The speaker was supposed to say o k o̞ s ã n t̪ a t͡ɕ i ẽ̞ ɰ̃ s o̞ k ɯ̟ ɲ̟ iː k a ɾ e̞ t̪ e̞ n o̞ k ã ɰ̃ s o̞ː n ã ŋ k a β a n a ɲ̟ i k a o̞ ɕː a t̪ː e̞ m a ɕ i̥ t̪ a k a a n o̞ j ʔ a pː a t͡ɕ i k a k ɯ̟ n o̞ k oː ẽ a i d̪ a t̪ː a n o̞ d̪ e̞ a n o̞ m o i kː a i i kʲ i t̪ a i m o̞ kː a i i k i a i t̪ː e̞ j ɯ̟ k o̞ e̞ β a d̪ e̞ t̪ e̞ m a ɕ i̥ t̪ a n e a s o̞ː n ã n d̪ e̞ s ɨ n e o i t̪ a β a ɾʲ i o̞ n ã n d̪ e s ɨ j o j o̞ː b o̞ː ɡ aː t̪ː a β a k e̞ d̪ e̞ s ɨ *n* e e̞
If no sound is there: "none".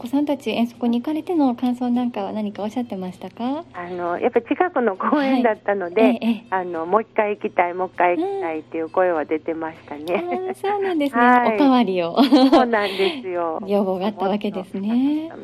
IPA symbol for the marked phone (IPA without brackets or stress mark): n